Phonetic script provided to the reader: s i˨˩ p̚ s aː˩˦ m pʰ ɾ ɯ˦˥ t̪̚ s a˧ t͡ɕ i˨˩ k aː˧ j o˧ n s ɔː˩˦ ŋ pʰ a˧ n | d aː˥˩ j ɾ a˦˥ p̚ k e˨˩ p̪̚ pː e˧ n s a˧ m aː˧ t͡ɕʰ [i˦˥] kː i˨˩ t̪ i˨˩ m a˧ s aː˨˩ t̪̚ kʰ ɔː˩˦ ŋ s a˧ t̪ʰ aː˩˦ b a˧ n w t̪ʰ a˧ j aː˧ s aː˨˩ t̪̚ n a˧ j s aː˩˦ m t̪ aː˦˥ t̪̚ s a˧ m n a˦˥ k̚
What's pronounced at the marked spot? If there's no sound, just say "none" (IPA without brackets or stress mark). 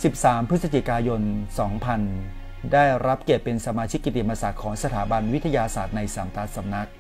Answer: i˦˥